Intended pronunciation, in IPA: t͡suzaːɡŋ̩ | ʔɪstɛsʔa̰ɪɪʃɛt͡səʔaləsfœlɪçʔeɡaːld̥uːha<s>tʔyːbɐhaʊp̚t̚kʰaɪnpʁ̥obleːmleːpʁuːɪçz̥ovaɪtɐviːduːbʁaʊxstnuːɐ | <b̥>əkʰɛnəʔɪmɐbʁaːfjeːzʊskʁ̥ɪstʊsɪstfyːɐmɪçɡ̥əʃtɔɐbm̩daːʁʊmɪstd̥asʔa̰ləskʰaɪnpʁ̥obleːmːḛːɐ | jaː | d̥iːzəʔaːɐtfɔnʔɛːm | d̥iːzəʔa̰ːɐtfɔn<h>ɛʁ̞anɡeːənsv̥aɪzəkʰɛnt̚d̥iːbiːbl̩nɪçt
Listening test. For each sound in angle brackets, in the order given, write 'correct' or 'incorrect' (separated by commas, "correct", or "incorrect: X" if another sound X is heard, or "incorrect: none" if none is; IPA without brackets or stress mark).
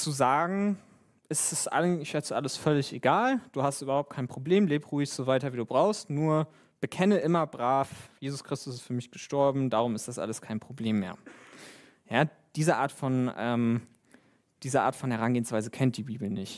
correct, correct, correct